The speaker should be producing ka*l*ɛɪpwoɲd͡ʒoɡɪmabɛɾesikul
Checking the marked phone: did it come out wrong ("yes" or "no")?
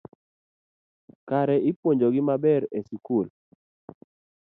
yes